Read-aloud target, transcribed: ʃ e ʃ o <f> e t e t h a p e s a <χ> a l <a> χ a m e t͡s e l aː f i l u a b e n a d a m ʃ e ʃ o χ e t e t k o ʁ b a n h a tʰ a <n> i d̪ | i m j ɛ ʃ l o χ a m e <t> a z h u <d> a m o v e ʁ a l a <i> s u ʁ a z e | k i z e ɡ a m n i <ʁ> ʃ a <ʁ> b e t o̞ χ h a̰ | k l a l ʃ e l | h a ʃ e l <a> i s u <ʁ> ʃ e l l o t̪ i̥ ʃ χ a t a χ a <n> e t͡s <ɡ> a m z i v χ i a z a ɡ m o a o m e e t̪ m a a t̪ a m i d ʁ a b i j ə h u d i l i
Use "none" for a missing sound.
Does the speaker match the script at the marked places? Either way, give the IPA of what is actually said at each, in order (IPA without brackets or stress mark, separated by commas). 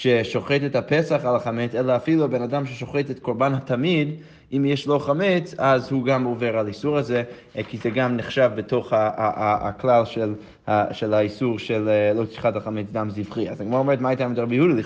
χ, χ, a, m, t͡s, ɡ, i, χ, v, a, ʁ, m, ɡ